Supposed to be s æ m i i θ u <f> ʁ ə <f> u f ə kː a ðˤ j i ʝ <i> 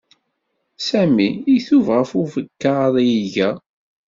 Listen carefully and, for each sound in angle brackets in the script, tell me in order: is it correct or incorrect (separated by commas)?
incorrect, correct, incorrect